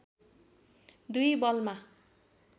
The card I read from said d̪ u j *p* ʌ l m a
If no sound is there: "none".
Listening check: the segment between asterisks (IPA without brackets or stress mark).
b